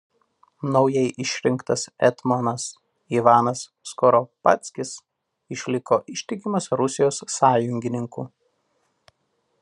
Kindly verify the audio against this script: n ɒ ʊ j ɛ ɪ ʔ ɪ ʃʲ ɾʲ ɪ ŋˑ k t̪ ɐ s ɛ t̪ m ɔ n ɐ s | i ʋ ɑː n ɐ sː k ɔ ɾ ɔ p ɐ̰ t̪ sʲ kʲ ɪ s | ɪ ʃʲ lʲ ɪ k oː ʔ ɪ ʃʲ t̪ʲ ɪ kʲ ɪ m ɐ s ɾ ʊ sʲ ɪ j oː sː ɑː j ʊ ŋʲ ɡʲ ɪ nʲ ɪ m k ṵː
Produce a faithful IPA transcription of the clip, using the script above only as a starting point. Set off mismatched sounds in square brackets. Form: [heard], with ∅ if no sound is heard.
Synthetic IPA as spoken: n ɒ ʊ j ɛ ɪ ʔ ɪ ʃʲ ɾʲ ɪ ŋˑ k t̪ ɐ s ɛ t̪ m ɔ n ɐ s | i ʋ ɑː n ɐ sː k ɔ ɾ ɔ p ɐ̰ t̪ sʲ kʲ ɪ s | ɪ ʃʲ lʲ ɪ k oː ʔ ɪ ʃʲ t̪ʲ ɪ kʲ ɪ m ɐ s ɾ ʊ sʲ ɪ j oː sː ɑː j ʊ ŋʲ ɡʲ ɪ nʲ ɪ [ŋ] k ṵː